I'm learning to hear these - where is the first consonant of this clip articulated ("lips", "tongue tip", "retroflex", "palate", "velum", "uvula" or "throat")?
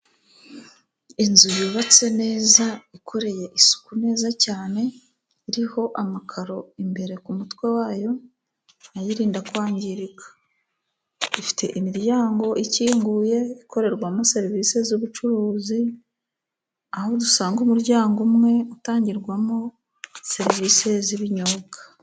tongue tip